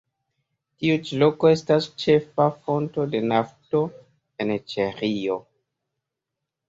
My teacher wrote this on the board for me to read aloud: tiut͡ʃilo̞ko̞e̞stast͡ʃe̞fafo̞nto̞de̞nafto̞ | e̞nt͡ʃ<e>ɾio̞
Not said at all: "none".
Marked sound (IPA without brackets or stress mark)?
e